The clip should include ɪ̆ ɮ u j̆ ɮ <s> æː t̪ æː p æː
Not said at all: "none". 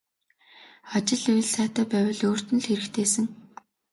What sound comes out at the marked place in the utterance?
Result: s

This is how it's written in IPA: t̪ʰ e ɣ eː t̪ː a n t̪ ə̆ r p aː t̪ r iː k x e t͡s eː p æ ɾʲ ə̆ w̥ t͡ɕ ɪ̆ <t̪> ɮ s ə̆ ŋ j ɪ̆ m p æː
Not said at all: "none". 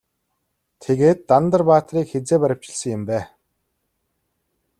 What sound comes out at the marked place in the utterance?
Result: none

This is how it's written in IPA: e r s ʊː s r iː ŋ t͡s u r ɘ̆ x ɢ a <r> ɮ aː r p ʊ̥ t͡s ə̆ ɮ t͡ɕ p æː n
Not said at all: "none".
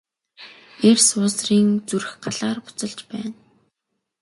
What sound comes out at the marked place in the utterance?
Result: none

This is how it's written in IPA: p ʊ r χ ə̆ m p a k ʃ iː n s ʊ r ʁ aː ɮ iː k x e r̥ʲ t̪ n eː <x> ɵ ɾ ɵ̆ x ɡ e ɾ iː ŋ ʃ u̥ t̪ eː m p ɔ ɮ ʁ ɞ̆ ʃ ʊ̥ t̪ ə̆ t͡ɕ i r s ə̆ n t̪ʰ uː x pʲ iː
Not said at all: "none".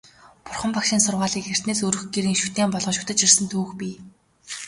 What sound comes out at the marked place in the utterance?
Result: s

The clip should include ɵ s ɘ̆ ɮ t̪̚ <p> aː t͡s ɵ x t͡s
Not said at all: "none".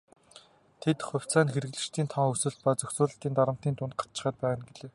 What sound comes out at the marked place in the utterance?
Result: p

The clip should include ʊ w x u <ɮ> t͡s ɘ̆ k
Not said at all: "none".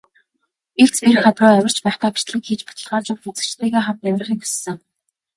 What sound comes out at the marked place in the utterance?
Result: none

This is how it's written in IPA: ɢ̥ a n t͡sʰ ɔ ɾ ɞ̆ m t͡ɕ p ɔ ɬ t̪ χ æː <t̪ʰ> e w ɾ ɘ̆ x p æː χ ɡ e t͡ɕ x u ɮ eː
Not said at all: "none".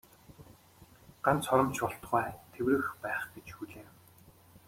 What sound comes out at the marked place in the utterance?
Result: t̪ʰ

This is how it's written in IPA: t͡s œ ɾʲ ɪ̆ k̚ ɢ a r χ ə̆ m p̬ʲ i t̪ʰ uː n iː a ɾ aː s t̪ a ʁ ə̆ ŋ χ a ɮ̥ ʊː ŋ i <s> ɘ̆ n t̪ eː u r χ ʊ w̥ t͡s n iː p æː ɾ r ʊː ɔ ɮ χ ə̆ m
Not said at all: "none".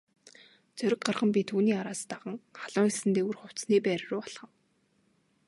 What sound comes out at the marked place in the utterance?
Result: s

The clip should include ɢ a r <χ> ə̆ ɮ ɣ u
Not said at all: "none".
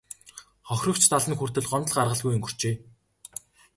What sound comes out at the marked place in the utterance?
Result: ʁ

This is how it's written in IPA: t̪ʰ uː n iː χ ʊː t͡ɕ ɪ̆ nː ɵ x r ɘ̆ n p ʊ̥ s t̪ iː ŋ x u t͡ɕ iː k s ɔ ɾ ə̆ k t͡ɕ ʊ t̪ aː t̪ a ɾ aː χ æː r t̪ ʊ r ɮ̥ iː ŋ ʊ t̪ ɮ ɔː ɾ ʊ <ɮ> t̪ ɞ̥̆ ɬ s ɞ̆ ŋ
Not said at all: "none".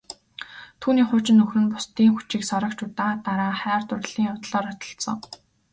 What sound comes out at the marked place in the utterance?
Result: none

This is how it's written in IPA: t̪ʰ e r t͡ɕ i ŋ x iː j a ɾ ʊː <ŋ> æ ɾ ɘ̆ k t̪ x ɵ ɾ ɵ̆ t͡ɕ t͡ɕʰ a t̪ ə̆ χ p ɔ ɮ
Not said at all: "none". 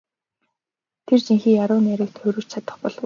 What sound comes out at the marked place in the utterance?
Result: n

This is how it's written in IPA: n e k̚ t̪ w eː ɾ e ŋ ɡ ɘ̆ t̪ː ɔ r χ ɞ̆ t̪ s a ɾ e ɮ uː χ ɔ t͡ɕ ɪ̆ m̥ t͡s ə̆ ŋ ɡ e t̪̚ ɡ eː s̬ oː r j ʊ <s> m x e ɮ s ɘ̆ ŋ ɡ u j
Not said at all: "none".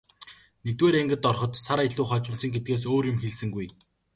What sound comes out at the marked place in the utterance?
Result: none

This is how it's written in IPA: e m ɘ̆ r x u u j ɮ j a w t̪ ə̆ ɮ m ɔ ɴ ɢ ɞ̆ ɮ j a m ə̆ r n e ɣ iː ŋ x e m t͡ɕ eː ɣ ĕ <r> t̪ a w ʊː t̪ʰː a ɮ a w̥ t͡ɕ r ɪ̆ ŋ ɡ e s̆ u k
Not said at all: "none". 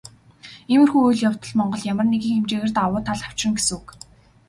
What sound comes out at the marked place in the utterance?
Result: r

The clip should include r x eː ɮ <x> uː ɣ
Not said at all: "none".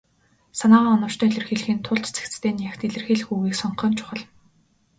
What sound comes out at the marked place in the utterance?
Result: x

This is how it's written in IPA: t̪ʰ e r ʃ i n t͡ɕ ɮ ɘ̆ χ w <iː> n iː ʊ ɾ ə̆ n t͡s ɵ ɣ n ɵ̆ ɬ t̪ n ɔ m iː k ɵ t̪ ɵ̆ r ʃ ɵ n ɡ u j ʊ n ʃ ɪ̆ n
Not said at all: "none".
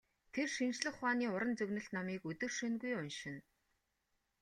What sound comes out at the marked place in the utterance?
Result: aː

